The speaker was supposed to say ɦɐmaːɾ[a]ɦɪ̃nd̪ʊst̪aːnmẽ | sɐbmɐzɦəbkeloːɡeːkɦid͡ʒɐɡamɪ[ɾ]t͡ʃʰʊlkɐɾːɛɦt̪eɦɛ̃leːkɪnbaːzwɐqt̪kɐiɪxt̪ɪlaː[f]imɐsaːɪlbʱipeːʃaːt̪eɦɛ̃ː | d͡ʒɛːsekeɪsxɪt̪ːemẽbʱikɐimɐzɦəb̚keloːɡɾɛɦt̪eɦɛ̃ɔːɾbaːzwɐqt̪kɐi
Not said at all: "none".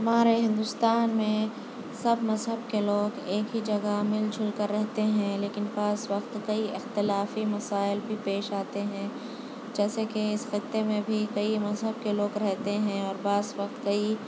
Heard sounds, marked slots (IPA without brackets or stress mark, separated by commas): e, l, f